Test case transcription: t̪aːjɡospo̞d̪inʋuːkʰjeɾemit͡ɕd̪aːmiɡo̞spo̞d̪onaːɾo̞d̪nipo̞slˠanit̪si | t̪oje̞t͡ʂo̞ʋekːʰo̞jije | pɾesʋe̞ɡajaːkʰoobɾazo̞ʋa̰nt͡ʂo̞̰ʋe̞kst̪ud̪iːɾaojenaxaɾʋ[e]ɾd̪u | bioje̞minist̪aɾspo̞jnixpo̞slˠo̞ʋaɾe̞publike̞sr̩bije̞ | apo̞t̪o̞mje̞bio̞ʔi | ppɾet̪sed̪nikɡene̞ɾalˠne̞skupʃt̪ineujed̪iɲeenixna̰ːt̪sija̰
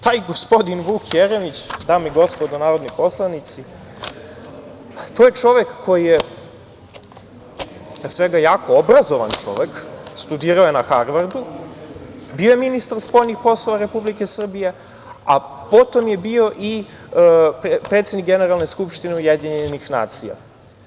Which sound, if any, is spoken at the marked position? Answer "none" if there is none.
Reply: a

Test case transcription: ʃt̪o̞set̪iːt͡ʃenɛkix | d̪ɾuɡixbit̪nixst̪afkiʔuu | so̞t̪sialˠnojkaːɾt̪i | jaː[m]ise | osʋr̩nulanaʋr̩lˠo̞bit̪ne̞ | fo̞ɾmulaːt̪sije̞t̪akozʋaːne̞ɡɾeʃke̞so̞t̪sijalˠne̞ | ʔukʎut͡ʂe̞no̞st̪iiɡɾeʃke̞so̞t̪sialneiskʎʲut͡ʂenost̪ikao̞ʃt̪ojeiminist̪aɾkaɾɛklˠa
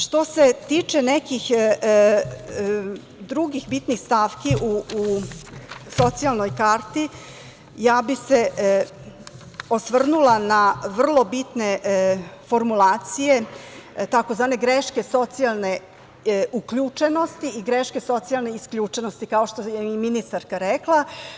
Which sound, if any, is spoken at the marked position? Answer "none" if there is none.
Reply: b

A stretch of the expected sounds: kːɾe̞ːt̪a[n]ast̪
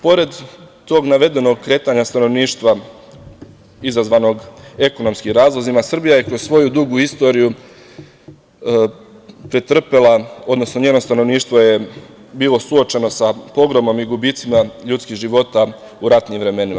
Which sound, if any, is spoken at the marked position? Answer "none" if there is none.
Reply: ɲ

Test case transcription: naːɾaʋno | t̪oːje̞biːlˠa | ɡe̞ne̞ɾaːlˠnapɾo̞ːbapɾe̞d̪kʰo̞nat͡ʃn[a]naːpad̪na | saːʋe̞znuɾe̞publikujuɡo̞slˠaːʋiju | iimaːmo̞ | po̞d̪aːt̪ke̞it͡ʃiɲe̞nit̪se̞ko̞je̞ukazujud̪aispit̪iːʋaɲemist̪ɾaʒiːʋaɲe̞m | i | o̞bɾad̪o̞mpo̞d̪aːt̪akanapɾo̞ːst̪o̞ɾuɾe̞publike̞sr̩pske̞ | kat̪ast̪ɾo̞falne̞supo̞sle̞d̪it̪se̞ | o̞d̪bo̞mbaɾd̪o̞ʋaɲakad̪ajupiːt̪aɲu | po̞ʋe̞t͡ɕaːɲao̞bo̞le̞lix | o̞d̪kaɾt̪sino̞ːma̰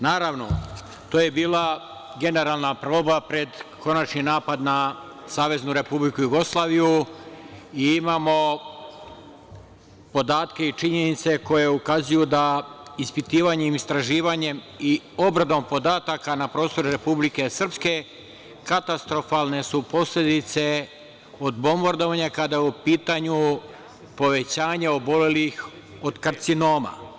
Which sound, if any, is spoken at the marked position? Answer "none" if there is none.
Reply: i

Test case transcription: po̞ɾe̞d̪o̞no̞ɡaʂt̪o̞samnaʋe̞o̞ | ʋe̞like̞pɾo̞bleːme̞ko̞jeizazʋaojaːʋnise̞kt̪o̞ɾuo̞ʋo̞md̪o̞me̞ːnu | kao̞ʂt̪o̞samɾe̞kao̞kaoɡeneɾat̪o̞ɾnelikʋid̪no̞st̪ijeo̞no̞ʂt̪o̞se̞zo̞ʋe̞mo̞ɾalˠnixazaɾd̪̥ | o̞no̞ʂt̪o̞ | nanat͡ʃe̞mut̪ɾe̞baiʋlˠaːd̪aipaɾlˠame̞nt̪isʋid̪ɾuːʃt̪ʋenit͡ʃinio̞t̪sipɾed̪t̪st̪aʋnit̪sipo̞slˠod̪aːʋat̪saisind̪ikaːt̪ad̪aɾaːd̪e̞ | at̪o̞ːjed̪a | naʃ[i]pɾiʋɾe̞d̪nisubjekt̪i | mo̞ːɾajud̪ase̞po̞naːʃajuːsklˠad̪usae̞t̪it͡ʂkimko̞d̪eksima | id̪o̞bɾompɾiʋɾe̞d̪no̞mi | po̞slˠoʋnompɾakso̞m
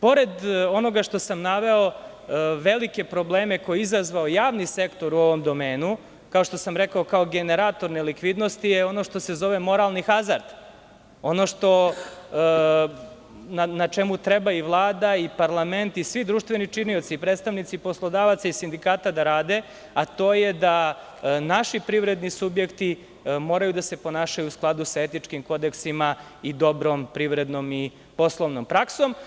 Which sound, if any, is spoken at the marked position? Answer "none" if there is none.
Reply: i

